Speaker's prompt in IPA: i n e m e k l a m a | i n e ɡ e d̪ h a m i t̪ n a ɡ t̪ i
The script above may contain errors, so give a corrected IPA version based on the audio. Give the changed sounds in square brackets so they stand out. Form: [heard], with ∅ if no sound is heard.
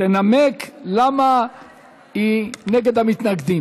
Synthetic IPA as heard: [e] n [a] m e k l a m a | i n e ɡ e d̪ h a m i t̪ n a ɡ [d̪] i